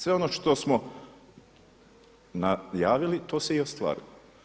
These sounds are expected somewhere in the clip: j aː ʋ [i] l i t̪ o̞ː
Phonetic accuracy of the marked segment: correct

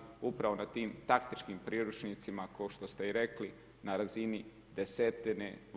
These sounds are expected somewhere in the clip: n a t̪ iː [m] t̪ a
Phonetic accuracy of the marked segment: correct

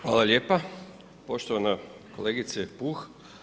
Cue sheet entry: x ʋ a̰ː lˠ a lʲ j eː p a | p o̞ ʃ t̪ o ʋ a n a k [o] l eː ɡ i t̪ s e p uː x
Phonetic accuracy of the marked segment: correct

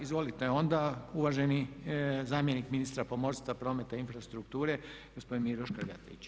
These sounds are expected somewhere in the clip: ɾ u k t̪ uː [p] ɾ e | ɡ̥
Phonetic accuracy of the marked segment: incorrect: none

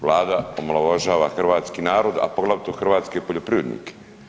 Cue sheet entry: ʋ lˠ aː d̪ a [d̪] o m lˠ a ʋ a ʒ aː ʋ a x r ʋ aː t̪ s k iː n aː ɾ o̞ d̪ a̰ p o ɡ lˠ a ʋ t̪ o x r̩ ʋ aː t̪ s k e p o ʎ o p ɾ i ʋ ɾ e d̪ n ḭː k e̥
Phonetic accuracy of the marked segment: incorrect: none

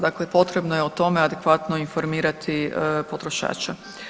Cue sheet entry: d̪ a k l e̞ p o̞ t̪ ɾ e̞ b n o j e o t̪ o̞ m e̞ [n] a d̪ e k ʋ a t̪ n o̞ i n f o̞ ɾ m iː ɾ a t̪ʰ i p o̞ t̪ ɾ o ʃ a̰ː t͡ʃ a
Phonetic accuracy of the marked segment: incorrect: none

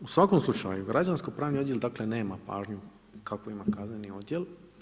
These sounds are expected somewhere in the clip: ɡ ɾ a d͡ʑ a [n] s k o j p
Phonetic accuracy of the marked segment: correct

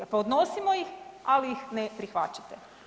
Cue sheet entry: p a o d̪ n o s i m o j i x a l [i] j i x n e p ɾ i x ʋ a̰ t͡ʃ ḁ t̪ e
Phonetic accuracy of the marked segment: correct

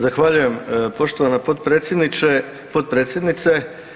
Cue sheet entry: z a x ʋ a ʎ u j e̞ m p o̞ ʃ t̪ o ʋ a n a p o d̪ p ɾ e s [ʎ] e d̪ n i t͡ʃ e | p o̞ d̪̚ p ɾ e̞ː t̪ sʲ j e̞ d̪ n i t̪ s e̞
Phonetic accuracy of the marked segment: incorrect: j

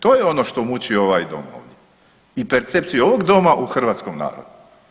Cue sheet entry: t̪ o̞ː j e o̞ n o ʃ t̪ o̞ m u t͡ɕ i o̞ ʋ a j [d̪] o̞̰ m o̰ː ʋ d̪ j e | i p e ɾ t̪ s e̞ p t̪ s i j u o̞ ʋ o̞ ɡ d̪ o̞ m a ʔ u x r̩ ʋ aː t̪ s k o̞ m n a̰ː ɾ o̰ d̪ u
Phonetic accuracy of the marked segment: correct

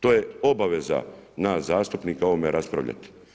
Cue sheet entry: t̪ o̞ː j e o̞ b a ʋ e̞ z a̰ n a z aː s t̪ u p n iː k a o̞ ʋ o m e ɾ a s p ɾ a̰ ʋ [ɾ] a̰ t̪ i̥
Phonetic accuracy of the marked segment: incorrect: ʎ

